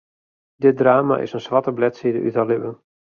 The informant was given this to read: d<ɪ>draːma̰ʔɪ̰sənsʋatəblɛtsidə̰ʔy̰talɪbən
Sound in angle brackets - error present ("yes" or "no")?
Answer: no